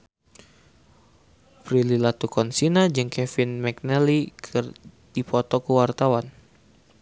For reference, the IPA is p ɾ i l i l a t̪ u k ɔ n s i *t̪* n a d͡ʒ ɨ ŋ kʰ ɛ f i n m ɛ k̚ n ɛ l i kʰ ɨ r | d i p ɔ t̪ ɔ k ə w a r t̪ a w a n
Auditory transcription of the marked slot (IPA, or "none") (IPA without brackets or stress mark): none